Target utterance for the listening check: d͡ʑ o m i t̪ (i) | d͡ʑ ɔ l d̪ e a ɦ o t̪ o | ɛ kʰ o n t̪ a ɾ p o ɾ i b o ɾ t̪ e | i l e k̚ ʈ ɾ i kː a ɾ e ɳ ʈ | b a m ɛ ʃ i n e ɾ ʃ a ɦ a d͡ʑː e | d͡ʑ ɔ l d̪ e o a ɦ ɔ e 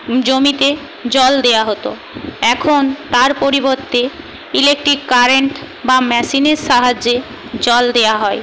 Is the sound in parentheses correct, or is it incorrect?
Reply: incorrect